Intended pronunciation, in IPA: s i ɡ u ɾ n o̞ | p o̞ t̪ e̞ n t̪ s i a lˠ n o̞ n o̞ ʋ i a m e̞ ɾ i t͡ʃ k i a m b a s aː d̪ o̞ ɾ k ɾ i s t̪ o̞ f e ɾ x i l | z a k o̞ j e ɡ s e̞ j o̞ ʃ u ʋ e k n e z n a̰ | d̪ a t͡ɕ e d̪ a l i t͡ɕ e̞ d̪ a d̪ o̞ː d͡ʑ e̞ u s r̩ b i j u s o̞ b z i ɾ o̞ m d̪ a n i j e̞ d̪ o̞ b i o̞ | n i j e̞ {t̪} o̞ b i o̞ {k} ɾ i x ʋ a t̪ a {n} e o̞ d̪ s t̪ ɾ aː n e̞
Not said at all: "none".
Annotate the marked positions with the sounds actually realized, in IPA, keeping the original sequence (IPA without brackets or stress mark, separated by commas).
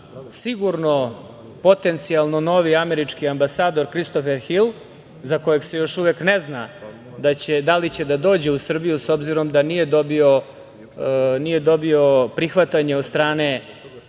d̪, p, ɲ